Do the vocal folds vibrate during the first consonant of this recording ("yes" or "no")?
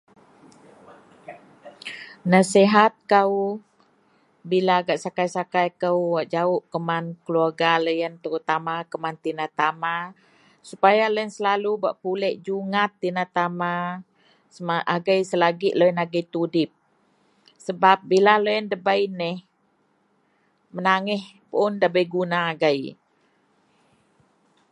yes